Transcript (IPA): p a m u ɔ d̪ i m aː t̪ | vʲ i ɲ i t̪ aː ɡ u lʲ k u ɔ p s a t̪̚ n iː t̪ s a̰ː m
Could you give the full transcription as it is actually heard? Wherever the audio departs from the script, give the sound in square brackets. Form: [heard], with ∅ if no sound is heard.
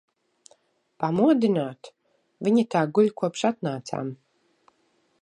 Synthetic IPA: p a m u ɔ d̪ i [n] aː t̪ | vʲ i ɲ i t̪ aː ɡ u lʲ k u ɔ p [ʃ] a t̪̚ n [aː] t̪ s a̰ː m